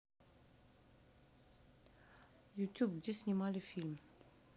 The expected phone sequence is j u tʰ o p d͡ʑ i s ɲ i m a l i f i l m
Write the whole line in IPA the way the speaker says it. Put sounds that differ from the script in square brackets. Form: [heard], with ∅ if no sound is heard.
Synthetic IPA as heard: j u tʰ [u] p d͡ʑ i s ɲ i m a l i f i l m